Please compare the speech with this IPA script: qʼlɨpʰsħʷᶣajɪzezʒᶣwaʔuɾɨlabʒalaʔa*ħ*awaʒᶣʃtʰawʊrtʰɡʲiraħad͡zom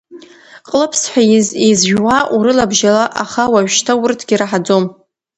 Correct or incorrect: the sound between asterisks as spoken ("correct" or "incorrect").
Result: incorrect